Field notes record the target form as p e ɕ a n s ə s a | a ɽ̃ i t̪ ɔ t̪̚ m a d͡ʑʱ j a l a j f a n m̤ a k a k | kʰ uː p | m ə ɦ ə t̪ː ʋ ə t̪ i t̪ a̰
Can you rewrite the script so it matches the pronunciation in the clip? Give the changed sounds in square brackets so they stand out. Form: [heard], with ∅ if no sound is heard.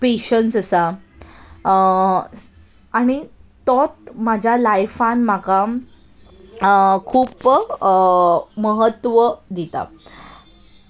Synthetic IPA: p e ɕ [ə] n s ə s a | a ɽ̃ i t̪ ɔ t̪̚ m a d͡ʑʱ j a l a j f a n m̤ a k a [∅] | kʰ uː p | m ə ɦ ə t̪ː ʋ ə [d̪] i t̪ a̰